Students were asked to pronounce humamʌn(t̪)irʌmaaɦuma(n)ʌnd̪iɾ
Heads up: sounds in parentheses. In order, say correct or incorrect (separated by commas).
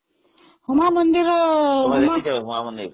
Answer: incorrect, incorrect